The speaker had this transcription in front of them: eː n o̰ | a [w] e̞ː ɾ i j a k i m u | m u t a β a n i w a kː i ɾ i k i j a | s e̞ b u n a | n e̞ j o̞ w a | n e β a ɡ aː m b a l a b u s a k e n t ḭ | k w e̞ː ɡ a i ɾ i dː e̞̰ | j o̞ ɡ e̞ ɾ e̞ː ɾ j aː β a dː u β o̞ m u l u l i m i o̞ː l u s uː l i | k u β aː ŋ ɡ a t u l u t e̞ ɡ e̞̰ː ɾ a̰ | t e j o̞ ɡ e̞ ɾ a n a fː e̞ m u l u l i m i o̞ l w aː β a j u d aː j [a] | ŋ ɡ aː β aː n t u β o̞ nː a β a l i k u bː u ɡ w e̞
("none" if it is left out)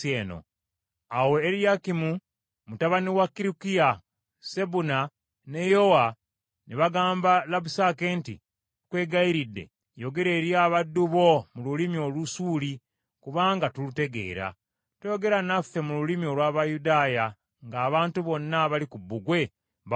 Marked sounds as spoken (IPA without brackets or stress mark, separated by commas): w, a